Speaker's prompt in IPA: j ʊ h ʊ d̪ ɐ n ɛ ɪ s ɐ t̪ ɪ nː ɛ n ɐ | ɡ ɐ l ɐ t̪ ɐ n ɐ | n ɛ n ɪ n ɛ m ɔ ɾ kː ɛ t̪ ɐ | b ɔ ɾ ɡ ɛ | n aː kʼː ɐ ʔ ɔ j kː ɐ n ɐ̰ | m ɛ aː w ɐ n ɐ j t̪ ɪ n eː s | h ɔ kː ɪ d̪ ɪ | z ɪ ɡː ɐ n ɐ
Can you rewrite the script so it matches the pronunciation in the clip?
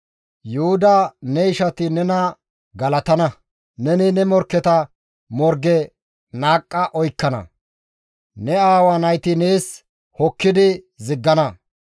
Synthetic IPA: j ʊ h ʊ d̪ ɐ n ɛ ɪ ʃ ɐ t̪ ɪ n ɛ n ɐ | ɡ ɐ l ɐ t̪ ɐ n ɐ | n ɛ n ɪ n ɛ m ɔ ɾ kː ɛ t̪ ɐ | m ɔ ɾ ɡ ɛ | n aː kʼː ɐ ʔ ɔ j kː ɐ n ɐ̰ | n ɛ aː w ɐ n ɐ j t̪ ɪ n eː s | h ɔ kː ɪ d̪ ɪ | z ɪ ɡː ɐ n ɐ